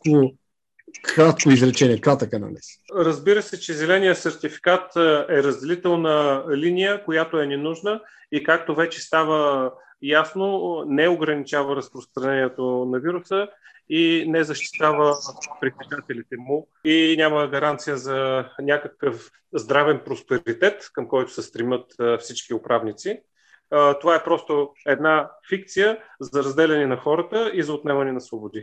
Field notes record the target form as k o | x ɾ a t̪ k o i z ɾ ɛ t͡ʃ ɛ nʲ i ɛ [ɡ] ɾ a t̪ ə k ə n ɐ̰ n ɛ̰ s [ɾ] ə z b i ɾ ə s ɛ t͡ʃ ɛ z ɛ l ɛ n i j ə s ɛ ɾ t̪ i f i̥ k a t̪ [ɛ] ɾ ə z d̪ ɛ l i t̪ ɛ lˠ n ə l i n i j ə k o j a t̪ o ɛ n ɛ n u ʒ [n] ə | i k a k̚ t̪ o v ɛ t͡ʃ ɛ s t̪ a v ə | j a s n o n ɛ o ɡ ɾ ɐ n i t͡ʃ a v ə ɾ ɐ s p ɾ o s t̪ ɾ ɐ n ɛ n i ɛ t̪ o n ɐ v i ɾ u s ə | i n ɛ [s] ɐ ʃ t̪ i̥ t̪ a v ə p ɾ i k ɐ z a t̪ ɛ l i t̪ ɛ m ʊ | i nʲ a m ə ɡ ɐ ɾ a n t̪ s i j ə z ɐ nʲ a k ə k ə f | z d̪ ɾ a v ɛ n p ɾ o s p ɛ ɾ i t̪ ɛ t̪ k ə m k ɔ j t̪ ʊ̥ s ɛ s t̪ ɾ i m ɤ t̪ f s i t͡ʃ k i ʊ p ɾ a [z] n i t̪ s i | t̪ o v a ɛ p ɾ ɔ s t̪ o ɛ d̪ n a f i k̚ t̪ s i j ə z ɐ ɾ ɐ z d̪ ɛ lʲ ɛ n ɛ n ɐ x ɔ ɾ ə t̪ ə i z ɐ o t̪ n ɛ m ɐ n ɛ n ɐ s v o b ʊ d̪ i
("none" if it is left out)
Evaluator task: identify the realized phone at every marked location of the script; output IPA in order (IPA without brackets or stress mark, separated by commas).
k, ɾ, ɛ, n, z, v